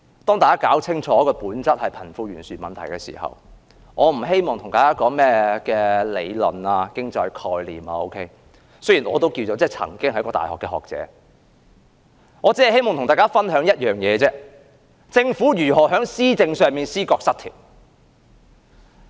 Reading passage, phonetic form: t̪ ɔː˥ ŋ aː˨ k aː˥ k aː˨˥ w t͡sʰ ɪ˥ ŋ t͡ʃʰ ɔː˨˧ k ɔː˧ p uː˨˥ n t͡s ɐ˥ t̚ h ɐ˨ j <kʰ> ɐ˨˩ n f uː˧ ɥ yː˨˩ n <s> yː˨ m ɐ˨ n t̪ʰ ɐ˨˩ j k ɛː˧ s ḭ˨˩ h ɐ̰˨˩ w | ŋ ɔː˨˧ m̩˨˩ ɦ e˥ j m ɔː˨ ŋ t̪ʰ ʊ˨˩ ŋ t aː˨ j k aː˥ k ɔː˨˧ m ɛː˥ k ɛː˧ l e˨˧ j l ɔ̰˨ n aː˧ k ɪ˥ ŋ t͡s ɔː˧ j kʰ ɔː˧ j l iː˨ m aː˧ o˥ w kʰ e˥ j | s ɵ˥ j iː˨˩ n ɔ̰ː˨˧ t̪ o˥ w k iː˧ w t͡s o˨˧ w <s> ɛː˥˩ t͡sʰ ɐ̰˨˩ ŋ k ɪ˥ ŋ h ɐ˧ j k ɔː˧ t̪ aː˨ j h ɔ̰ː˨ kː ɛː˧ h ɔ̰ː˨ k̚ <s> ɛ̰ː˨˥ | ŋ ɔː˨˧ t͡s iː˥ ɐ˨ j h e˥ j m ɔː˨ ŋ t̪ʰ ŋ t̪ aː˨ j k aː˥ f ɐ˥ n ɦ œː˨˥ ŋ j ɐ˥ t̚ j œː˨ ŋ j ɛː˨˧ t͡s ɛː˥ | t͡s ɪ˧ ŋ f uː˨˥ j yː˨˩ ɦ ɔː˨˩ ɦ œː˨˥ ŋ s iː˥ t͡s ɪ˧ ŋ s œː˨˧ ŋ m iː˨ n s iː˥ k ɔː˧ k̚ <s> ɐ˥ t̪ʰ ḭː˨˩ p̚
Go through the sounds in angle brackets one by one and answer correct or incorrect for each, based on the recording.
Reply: incorrect, correct, incorrect, incorrect, correct

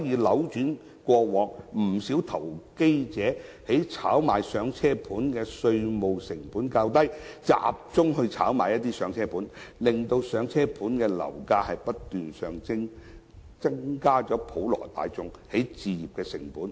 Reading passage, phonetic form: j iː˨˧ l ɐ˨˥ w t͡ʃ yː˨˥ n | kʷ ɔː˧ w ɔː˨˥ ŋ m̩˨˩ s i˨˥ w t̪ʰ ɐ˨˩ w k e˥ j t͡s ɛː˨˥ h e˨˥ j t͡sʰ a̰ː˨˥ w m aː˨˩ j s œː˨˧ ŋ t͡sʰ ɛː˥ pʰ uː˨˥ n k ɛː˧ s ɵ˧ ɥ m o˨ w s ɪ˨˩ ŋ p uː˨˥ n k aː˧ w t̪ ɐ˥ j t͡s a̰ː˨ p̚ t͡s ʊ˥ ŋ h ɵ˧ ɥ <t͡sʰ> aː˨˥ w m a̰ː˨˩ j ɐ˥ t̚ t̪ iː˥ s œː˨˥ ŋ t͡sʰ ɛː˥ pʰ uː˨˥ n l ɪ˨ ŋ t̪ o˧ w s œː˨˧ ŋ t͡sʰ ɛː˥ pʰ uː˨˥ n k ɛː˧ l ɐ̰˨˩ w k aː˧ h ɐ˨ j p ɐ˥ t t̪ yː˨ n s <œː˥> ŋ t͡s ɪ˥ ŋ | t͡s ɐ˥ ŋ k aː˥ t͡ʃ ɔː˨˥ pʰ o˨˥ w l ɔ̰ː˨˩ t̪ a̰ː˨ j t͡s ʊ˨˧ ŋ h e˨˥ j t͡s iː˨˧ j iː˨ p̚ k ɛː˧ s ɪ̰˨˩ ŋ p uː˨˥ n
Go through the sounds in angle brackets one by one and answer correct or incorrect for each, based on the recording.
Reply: correct, incorrect

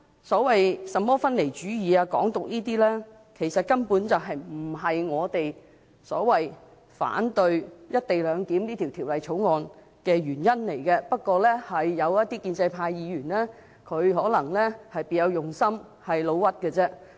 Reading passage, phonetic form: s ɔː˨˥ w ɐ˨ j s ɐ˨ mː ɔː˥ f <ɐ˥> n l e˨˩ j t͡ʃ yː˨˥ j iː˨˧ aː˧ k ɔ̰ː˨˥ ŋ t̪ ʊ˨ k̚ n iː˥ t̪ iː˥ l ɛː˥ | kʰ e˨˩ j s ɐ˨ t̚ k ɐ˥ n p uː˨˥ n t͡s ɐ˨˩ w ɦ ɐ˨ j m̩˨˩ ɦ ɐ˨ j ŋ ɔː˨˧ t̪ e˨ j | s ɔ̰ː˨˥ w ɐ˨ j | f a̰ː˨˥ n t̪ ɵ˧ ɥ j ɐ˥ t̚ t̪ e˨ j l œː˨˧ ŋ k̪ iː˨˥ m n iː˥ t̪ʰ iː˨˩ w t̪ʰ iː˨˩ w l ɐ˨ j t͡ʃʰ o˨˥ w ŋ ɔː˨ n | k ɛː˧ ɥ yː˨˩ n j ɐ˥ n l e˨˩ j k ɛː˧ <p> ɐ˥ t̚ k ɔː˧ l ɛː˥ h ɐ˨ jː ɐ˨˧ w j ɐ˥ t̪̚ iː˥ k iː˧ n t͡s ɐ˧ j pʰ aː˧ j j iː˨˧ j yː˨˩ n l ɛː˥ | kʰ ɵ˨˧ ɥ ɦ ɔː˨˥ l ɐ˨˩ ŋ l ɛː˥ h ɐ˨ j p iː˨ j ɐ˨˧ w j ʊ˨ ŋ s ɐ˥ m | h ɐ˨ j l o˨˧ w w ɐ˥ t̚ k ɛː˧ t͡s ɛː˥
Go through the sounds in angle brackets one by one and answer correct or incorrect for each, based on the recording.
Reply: correct, correct

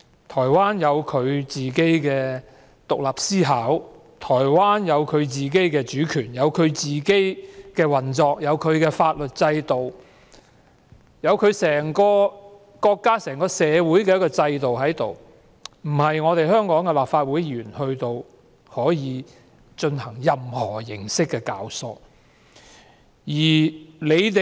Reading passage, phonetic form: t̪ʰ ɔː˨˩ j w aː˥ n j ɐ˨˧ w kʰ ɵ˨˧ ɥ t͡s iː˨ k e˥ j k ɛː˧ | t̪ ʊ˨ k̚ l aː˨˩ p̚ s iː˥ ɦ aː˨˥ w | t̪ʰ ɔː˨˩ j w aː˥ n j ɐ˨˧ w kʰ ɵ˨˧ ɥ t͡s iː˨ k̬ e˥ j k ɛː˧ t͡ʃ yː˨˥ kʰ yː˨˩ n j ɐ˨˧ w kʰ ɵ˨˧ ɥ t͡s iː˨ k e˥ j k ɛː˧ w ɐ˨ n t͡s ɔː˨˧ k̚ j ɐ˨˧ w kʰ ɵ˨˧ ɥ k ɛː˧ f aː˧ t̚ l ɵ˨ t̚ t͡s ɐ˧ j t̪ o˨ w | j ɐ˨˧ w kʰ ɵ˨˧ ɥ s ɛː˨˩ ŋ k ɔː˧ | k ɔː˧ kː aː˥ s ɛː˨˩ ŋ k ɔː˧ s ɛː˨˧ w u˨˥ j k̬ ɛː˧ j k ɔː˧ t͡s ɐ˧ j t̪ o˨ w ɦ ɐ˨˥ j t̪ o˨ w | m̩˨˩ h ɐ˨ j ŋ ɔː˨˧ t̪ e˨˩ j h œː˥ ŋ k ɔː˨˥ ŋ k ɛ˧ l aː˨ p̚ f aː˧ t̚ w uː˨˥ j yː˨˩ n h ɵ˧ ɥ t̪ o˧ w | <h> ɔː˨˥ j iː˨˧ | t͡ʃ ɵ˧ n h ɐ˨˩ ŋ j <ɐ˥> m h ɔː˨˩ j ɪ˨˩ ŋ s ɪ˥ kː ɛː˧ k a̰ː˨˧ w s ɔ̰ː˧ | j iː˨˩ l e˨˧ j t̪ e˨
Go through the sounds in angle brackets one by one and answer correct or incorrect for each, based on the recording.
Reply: correct, incorrect

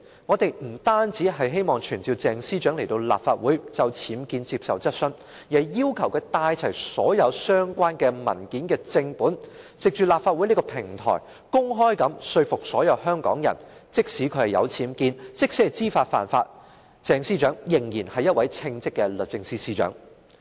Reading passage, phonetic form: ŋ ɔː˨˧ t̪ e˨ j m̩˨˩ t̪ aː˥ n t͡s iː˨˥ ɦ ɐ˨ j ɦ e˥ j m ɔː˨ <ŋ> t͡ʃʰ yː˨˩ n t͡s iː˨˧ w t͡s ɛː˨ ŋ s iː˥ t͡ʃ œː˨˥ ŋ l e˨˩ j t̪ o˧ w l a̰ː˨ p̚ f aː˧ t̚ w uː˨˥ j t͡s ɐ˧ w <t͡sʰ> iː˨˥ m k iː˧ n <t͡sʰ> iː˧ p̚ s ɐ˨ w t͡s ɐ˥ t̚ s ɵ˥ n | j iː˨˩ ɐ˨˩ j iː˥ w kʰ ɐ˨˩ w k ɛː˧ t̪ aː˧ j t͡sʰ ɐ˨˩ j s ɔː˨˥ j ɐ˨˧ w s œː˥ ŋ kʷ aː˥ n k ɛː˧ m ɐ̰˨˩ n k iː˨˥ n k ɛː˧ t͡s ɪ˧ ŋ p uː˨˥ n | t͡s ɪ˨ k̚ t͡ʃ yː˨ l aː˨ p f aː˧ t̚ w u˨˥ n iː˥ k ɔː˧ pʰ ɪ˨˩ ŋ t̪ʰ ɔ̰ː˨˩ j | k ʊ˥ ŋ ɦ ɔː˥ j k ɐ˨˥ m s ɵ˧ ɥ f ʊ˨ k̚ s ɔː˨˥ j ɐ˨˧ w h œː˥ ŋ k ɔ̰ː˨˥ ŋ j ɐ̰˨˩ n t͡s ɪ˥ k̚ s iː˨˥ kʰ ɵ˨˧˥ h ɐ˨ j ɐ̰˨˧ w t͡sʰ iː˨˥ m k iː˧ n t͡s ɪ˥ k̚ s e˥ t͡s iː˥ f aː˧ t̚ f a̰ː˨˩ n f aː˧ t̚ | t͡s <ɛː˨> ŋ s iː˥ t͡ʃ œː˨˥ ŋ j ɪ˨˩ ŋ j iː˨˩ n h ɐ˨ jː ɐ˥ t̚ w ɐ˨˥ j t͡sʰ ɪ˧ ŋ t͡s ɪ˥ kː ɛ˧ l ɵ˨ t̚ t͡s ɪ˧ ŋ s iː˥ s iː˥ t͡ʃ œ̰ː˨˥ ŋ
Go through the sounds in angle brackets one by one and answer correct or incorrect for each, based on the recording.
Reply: correct, correct, incorrect, correct

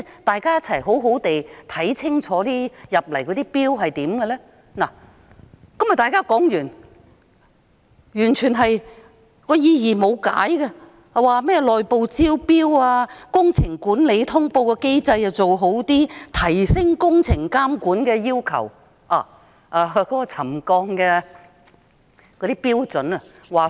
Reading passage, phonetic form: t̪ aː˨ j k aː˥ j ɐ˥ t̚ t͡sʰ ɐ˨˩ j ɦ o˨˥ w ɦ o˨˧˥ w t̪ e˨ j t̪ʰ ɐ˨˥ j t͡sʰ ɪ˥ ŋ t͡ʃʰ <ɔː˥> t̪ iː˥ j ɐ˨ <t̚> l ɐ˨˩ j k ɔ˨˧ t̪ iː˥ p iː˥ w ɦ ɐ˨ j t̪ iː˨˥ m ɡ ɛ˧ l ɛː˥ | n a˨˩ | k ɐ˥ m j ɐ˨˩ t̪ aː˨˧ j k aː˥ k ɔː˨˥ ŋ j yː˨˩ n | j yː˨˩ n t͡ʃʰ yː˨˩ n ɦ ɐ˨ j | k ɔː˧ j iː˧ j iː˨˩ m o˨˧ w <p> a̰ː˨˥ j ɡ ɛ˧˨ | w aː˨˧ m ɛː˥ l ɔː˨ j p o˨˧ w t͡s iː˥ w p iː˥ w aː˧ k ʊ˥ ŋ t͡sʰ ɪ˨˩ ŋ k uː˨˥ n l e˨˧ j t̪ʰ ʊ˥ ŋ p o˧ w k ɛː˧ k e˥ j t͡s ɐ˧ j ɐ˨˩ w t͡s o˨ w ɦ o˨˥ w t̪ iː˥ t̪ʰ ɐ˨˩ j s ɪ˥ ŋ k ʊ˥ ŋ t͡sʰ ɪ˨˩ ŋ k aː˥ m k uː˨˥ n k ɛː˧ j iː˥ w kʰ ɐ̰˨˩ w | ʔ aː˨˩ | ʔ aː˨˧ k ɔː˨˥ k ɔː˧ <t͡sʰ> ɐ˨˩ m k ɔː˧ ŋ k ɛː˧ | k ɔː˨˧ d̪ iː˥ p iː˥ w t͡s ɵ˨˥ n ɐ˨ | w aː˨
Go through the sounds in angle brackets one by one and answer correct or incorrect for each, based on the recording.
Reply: incorrect, incorrect, incorrect, correct

